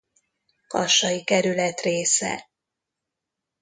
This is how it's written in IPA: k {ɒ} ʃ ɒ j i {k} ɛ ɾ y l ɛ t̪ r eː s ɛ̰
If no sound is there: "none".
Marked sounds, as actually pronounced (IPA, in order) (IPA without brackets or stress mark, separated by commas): ɒ, k